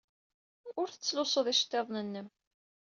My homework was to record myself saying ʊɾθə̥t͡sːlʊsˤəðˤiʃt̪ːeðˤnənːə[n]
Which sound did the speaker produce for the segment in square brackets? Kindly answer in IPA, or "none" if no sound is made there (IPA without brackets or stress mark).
m